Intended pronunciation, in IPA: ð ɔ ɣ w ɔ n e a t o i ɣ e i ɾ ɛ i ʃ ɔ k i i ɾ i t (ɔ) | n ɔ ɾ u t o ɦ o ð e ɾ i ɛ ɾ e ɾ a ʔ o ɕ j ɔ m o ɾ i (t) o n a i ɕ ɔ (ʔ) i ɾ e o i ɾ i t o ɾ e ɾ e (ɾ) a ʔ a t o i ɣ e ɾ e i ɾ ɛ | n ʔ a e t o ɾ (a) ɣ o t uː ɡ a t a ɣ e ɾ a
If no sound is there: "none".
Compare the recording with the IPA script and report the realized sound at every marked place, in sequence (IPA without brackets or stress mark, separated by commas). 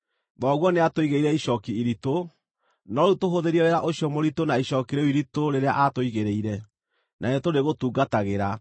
o, t, k, none, e